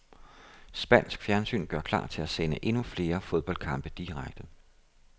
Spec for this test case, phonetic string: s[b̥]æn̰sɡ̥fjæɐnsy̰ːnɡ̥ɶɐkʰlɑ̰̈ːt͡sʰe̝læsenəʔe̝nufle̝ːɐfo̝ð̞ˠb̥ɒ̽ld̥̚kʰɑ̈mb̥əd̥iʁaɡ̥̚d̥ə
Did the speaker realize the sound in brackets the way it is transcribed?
yes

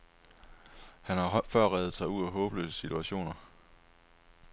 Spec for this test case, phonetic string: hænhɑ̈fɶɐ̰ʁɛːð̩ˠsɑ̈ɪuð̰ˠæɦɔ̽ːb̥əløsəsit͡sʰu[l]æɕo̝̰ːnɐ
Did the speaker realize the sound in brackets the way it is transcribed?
no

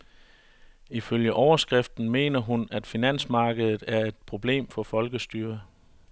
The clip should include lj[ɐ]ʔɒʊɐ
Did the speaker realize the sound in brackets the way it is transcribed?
no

